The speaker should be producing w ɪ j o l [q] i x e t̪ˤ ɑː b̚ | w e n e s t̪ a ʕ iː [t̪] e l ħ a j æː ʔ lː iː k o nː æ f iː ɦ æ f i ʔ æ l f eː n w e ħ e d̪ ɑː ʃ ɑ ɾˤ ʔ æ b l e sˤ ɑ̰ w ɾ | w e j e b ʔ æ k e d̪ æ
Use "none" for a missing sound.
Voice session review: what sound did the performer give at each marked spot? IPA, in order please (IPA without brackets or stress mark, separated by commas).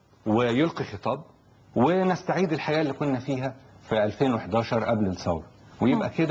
q, d̪